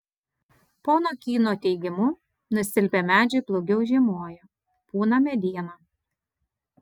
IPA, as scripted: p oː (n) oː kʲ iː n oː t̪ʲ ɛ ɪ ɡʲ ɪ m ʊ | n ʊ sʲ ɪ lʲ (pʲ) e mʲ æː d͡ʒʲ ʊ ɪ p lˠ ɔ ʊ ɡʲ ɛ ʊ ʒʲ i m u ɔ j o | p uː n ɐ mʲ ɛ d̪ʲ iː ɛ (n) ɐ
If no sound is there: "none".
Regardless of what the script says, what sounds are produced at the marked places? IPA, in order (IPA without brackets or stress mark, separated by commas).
n, pʲ, n